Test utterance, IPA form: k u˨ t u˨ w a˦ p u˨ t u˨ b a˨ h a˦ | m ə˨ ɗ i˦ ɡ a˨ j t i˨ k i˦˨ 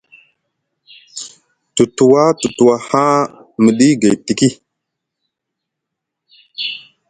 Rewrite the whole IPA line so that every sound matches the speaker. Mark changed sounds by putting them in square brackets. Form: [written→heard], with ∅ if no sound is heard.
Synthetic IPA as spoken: [k→t] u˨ t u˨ w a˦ [p→t] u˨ t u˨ [b→w] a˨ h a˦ | m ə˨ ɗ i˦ ɡ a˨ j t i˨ k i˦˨